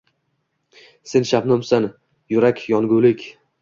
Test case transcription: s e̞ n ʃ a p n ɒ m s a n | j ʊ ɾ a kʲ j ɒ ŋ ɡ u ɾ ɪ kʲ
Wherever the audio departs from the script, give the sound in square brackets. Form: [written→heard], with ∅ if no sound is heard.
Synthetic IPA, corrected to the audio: s e̞ n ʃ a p n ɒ m s a n | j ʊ ɾ a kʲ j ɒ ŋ ɡ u [ɾ→l] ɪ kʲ